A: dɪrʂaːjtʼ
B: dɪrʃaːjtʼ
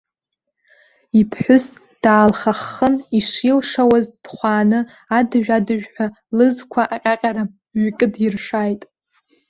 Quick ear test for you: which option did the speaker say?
A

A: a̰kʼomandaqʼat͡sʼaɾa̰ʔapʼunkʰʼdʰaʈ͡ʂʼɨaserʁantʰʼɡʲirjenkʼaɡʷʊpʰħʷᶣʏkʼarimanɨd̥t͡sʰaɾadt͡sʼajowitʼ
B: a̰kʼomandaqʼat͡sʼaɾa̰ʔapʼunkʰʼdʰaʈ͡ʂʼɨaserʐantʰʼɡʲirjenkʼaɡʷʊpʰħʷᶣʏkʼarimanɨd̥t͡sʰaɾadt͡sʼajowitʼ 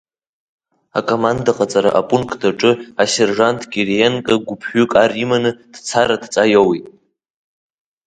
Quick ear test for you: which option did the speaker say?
B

